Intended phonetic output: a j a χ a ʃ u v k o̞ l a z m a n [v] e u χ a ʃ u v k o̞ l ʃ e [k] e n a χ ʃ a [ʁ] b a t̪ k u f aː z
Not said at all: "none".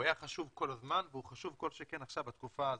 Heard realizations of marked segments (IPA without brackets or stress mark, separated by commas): v, k, v